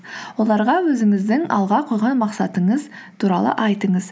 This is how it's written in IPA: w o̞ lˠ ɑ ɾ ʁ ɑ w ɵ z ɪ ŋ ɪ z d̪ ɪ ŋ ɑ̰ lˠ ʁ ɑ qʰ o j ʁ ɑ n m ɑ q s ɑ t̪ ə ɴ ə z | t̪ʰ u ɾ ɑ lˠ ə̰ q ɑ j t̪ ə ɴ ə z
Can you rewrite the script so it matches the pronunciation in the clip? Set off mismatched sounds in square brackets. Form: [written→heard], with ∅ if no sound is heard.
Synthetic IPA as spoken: w o̞ lˠ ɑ ɾ ʁ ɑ w ɵ z ɪ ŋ ɪ z d̪ ɪ ŋ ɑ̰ lˠ ʁ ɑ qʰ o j ʁ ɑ n m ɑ q s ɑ t̪ ə ɴ ə z | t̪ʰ u ɾ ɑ lˠ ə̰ [q→ʔ] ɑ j t̪ ə ɴ ə z